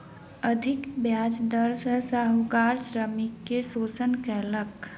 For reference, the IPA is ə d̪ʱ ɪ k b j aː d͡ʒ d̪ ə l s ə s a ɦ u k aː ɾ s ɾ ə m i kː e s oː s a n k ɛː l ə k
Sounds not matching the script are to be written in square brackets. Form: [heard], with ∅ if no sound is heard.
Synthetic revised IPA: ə d̪ʱ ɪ k b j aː d͡ʒ d̪ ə [ɾ] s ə s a ɦ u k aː ɾ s ɾ ə m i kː e s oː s [ə] n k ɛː l ə k